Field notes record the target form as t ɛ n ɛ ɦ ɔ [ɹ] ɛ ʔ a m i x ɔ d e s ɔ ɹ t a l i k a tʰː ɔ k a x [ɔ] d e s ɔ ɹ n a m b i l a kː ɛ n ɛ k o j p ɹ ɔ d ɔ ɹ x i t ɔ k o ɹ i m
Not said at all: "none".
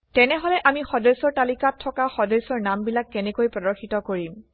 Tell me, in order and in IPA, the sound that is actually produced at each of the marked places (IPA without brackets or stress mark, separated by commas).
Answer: l, ɔ